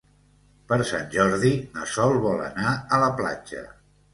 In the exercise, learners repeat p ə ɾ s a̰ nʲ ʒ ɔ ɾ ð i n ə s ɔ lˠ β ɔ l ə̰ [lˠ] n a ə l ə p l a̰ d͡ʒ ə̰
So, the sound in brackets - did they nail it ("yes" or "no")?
no